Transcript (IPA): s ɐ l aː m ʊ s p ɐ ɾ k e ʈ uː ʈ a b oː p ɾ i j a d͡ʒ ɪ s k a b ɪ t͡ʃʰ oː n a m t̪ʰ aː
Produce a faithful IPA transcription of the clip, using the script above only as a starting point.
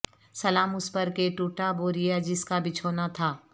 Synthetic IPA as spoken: s ɐ l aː m ʊ s p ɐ ɾ k e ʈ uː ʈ a b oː ɾ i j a d͡ʒ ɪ s k a b ɪ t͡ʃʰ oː n a t̪ʰ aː